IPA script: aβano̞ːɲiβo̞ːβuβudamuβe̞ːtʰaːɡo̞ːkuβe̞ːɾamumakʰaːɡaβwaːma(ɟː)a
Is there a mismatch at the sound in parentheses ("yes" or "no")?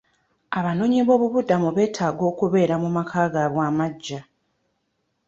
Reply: no